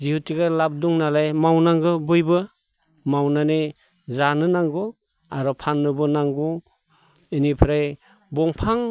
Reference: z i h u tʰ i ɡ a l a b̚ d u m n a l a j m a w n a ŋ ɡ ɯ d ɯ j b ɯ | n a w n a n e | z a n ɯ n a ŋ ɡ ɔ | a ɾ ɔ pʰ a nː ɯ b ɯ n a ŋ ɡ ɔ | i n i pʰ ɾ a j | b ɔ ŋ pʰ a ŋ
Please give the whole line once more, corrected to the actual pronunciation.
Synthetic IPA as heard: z i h u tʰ i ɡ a l a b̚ d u ŋ n a l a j m a w n a ŋ ɡ ɯ b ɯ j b ɯ | m a w n a n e | z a n ɯ n a ŋ ɡ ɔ | a ɾ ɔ pʰ a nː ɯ b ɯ n a ŋ ɡ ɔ | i n i pʰ ɾ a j | b ɔ ŋ pʰ a ŋ